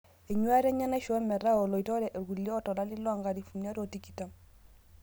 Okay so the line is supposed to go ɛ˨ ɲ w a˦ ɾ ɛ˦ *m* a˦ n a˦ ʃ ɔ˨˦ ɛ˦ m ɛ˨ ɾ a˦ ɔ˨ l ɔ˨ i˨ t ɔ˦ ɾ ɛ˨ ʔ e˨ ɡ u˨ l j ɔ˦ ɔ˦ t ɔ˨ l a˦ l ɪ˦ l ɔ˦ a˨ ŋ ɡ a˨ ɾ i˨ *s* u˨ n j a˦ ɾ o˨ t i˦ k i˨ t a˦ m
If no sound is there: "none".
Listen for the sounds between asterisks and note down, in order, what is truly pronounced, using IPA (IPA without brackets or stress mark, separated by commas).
ɲ, f